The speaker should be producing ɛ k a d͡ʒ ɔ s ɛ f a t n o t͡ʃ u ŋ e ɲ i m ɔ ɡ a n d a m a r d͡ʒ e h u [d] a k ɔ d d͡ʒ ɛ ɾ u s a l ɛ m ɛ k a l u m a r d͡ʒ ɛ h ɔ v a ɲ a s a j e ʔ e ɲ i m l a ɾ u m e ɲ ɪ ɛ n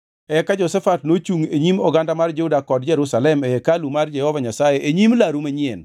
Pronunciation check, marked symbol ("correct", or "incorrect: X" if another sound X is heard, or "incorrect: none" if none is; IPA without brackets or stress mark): correct